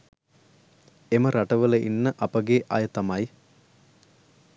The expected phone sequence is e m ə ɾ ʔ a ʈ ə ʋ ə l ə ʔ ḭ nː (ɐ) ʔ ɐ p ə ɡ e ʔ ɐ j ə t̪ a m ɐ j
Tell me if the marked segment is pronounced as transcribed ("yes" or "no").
no